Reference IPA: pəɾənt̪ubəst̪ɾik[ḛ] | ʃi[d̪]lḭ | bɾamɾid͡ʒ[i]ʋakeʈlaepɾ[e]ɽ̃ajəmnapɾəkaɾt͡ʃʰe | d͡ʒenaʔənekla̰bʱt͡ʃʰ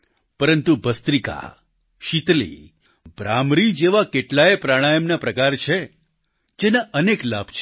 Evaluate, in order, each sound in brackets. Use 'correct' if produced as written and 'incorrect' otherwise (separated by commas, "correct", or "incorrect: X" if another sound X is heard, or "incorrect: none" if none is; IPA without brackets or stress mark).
incorrect: a̰, incorrect: t̪, incorrect: e, incorrect: a